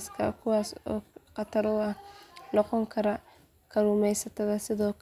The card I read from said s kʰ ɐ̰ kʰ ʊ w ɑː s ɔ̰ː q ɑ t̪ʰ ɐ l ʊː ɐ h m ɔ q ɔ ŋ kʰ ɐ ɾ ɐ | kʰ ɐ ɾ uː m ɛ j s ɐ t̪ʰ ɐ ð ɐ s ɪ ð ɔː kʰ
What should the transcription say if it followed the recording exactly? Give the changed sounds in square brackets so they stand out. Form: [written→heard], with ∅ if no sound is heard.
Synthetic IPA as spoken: s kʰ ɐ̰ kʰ ʊ w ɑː s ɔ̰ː q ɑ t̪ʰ ɐ [l→ɾ] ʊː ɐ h [m→n] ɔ q ɔ ŋ kʰ ɐ ɾ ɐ | kʰ ɐ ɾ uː m ɛ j s ɐ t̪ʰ ɐ ð ɐ s ɪ ð ɔː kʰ